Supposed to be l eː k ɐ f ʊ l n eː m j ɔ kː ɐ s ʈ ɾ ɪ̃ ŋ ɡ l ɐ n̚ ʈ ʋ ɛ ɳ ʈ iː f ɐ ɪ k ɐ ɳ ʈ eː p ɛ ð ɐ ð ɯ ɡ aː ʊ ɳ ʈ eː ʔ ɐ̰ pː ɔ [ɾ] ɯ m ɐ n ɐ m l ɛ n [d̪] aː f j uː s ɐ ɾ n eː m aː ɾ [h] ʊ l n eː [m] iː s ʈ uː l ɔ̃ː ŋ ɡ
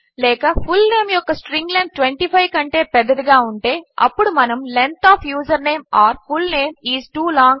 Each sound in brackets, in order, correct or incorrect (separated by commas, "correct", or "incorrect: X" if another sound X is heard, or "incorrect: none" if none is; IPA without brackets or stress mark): incorrect: ɽ, incorrect: t̪, incorrect: f, correct